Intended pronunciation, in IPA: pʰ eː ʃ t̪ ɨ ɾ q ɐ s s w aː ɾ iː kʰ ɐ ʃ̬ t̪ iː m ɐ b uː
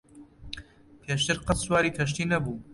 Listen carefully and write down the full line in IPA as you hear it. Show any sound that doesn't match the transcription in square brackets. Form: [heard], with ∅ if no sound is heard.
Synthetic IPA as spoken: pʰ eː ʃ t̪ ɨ ɾ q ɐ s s w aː ɾ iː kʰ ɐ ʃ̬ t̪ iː [n] ɐ b uː